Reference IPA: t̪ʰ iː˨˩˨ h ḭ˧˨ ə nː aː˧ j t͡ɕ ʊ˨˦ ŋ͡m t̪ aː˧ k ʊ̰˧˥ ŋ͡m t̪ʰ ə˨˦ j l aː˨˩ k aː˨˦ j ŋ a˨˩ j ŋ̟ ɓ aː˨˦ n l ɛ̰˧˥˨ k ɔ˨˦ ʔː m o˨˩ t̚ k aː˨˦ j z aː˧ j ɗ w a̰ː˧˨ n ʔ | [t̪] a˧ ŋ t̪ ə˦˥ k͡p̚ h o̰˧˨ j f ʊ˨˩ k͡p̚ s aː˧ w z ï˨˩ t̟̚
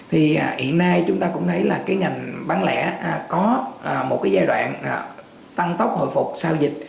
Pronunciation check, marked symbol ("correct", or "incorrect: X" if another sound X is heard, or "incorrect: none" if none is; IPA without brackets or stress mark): correct